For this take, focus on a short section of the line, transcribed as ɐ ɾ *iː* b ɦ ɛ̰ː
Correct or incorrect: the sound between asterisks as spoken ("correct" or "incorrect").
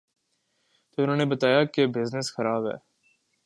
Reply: incorrect